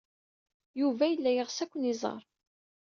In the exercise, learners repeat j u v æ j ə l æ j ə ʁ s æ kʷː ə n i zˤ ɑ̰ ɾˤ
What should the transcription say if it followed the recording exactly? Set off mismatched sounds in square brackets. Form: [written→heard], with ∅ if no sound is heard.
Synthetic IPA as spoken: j u v æ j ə [l→lː] æ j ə ʁ s æ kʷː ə n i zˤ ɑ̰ ɾˤ